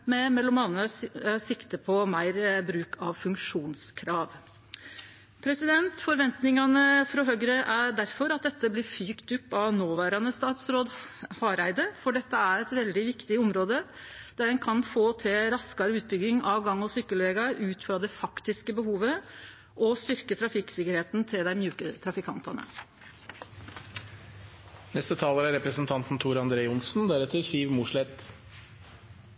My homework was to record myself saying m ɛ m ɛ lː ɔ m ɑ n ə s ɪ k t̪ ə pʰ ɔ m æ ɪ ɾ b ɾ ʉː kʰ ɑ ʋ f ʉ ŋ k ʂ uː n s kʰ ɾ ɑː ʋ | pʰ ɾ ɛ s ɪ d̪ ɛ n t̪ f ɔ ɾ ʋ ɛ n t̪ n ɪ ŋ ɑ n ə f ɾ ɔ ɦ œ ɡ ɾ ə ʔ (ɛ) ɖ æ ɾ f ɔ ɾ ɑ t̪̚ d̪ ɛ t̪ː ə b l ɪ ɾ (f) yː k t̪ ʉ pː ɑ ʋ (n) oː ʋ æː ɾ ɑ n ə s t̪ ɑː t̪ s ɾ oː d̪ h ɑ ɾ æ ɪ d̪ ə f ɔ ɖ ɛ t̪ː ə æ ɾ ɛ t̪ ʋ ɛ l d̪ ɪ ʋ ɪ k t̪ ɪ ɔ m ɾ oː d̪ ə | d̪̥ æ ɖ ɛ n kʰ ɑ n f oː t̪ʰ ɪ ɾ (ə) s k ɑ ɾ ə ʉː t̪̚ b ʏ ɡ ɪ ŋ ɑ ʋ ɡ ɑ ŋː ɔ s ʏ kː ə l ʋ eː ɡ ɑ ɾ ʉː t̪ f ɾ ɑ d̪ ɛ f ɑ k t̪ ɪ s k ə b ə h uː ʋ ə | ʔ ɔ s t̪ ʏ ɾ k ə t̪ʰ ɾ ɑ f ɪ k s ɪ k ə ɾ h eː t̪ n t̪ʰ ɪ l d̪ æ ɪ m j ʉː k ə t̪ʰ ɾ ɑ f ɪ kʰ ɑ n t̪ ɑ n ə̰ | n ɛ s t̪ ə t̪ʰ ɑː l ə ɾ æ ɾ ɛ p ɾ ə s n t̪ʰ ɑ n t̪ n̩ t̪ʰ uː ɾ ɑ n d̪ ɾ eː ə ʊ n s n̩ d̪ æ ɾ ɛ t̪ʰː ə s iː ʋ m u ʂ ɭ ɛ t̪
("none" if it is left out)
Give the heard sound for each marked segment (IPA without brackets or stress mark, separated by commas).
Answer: æ, f, n, ɑ